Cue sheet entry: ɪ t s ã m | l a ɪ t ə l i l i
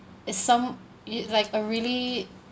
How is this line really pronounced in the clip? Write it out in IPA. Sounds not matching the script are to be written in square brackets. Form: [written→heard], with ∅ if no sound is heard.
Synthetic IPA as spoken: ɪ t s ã m | l a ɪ [t→k] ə [l→ɹ] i l i